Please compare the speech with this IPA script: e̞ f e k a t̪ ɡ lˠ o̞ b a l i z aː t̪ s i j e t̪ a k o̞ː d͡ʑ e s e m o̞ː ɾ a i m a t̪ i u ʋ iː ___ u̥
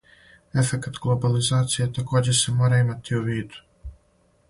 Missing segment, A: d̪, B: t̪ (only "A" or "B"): A